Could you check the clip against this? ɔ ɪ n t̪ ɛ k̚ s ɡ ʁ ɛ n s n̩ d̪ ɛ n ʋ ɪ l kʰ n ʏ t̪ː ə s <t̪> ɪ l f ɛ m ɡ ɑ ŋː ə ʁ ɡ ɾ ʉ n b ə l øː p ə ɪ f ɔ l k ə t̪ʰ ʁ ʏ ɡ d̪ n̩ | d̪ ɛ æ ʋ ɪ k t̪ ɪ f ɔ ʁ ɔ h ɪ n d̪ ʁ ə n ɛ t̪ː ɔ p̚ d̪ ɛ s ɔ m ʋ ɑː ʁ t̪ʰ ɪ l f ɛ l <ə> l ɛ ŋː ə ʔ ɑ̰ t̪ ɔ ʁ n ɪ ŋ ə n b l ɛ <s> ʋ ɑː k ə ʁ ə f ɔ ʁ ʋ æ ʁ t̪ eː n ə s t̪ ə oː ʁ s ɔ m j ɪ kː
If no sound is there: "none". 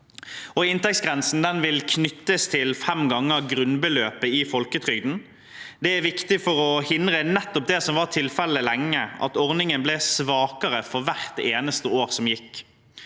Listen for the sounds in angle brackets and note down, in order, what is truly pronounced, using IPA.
t̪ʰ, ə, s

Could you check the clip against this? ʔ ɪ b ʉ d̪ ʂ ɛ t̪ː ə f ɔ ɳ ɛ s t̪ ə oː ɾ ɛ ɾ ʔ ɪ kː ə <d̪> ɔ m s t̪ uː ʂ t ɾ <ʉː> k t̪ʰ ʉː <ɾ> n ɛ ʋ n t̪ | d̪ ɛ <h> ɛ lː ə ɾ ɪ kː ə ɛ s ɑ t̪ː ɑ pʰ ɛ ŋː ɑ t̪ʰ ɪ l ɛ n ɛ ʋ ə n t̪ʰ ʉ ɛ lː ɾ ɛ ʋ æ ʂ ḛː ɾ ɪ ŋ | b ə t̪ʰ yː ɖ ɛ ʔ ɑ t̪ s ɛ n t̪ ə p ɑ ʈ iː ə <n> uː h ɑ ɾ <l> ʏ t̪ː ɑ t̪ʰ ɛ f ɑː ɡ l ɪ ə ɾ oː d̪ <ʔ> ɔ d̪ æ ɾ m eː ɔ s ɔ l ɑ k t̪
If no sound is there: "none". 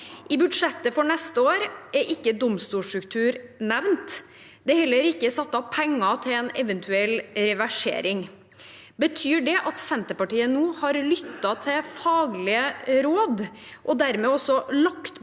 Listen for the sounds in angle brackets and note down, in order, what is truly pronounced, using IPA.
d̪, ʉ, ɾ, h, n, l, ʔ

